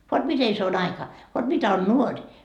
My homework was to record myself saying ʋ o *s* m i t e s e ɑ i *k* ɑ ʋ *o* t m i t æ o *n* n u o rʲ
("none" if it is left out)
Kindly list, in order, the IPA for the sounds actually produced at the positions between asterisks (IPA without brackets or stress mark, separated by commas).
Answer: t, k, o, n